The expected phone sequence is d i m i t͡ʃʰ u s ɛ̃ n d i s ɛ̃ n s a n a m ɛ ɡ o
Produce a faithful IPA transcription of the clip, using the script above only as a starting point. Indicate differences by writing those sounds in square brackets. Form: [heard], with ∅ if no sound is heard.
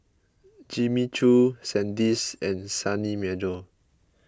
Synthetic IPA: [d͡ʒ] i m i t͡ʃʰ u s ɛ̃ n d i s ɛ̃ n s a n [i] m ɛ [d] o